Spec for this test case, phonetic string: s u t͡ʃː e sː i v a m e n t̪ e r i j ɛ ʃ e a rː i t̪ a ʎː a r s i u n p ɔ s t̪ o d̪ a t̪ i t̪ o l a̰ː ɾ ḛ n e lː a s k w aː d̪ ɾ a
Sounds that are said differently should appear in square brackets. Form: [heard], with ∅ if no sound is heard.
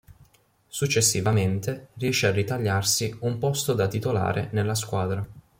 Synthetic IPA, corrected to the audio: s u t͡ʃː e sː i v a m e n t̪ e r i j ɛ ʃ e a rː i t̪ a ʎː a r s i u [m] p ɔ s t̪ o d̪ a t̪ i t̪ o l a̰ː ɾ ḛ n e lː a s k w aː d̪ ɾ a